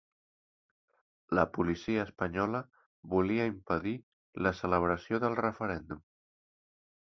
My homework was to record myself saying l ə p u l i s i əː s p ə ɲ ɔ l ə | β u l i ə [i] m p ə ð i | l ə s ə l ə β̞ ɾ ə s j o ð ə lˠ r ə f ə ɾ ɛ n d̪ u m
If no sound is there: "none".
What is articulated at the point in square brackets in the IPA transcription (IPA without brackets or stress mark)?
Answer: i